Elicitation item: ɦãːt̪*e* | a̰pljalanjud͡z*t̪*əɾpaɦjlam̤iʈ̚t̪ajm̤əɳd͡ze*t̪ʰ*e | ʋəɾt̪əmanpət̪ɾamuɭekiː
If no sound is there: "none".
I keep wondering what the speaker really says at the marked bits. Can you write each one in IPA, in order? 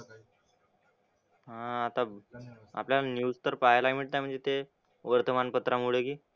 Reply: a, t̪, t̪

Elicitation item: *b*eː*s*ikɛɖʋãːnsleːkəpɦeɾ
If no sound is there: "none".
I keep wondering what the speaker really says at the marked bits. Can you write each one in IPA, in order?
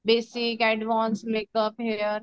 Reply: b, s

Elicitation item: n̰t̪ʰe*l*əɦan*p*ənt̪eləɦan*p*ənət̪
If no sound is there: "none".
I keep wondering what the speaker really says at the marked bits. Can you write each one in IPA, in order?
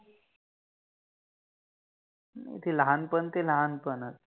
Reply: l, p, p

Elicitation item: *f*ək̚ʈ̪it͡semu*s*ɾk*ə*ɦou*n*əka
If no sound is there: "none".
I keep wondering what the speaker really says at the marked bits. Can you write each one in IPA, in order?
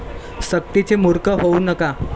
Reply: s, none, ə, n

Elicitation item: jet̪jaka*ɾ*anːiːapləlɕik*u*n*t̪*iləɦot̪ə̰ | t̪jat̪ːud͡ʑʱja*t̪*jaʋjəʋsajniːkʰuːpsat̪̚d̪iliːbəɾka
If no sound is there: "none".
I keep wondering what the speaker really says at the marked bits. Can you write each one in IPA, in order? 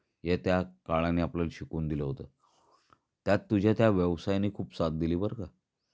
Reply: ɭ, uː, d̪, t̪

